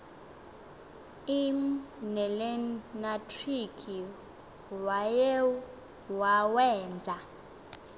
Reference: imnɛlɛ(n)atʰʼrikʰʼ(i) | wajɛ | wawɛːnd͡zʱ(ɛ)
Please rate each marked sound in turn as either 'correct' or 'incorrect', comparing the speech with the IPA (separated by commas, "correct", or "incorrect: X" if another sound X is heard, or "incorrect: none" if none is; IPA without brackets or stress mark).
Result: correct, correct, incorrect: a